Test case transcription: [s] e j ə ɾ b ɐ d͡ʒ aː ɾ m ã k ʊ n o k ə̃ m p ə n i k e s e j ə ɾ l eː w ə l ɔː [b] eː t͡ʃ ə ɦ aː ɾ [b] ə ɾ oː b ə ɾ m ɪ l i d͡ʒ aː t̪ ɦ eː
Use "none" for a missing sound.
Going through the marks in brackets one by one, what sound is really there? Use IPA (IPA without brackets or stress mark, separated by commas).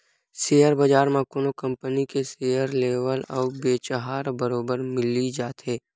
s, b, b